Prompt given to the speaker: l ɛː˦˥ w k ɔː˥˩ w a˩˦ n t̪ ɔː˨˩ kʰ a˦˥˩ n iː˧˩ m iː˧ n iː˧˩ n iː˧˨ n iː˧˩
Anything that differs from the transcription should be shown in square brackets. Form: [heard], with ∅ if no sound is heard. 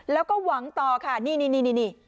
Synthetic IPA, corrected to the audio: l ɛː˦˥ w k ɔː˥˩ w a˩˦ [ŋ] t̪ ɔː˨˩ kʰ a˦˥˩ n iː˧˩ [n] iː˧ n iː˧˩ n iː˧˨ n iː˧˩